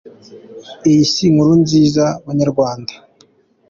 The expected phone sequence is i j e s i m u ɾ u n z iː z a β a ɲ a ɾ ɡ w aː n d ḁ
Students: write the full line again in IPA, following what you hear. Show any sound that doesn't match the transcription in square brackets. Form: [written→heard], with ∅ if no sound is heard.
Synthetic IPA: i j [e→i] s i [m→ŋ] u ɾ u n z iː z a β a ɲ a ɾ ɡ w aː n d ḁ